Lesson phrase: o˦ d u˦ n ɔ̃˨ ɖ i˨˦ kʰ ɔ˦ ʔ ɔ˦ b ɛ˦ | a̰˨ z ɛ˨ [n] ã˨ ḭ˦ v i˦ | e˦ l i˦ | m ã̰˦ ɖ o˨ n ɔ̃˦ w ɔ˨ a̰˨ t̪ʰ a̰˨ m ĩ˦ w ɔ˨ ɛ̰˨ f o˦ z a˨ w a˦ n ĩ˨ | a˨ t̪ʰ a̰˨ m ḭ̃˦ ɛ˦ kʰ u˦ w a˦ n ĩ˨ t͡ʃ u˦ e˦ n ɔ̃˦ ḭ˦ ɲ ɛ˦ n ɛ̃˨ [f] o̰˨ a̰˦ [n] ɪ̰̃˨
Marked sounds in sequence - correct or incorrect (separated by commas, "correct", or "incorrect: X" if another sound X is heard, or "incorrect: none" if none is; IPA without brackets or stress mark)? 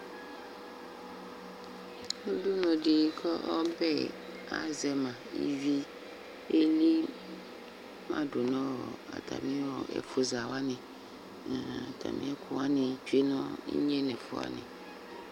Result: incorrect: m, correct, correct